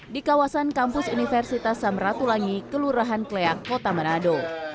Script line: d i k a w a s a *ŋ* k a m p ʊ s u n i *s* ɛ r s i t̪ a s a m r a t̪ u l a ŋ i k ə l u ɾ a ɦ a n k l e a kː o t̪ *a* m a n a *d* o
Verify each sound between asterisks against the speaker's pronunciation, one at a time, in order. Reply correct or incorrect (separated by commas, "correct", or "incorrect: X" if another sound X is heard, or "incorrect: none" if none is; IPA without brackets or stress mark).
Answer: incorrect: n, incorrect: f, correct, correct